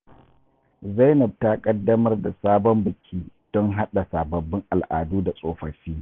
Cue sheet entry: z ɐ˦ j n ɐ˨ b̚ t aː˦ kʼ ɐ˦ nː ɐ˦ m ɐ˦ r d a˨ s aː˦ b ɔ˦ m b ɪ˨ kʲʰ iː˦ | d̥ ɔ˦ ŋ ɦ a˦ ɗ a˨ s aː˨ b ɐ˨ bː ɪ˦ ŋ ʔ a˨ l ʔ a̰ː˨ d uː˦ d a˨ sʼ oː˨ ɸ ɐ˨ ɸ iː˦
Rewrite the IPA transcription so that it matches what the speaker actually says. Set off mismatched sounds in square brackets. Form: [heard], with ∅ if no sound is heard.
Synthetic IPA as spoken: z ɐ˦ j n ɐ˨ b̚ t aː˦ kʼ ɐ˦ [dː] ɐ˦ m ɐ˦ r d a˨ s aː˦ b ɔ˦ m b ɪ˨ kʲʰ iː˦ | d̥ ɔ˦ ŋ ɦ a˦ ɗ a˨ s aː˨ b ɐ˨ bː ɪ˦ ŋ ʔ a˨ l ʔ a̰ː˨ d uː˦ d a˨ sʼ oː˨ ɸ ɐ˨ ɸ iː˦